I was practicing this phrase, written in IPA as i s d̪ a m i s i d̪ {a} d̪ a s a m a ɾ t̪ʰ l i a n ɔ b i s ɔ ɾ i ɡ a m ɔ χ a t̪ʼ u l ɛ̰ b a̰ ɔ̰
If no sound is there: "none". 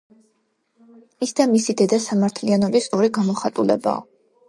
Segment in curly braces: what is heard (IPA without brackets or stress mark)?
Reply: ɛ